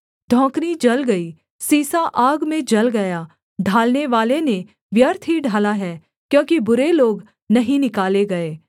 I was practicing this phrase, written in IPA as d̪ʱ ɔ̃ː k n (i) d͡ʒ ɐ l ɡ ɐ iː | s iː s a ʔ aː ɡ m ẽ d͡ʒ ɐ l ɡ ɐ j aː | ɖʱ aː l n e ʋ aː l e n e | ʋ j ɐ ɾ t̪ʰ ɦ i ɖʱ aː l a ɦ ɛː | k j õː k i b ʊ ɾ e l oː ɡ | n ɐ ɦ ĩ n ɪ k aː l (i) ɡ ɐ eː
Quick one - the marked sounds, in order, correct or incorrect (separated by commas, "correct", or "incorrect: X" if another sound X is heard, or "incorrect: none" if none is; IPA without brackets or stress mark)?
correct, incorrect: e